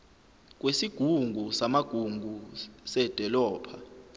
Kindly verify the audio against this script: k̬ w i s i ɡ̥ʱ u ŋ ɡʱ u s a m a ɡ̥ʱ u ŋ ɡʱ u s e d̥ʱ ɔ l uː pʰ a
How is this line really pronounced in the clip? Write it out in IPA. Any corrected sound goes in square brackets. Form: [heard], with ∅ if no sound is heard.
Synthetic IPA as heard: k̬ w [e] s i ɡ̥ʱ u ŋ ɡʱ u s a m a ɡ̥ʱ u ŋ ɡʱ u s [ɛ] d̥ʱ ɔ l [ɔː] pʰ a